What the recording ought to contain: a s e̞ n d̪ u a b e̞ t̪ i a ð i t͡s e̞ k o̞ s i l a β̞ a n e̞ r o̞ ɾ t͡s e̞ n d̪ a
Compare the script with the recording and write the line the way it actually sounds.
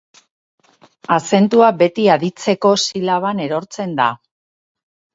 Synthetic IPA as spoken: a s e̞ n t̪ u a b e̞ t̪ i a ð i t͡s e̞ k o̞ s i l a β̞ a n e̞ ɾ o̞ ɾ t͡s e̞ n d̪ a